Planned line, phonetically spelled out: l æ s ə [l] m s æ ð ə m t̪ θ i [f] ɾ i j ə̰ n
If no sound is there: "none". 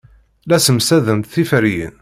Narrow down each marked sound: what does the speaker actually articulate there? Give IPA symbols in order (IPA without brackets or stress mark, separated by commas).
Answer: none, f